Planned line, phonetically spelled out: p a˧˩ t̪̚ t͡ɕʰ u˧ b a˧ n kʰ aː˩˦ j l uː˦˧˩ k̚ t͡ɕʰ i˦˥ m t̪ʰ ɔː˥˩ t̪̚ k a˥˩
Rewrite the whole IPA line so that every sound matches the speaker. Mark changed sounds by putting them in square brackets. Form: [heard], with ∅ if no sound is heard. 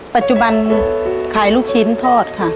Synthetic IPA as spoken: p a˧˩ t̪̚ [t͡ɕ] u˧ b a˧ n kʰ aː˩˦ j l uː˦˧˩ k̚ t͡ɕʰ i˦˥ [n] t̪ʰ ɔː˥˩ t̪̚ [kʰ] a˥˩